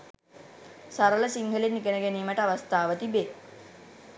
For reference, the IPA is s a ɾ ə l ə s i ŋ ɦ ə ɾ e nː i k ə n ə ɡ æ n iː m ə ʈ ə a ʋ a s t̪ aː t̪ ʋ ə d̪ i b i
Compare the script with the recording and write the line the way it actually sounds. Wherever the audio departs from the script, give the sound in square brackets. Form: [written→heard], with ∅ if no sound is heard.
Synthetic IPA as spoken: s a ɾ ə l ə s i ŋ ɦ ə [ɾ→l] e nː i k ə n ə ɡ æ n iː m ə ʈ ə a ʋ a s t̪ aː [t̪→∅] ʋ ə [d̪→t̪] i b [i→e]